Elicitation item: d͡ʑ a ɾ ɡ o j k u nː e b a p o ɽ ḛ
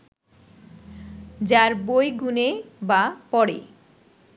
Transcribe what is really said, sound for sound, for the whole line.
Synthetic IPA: d͡ʑ a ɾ b o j ɡ u n e b a p ɔ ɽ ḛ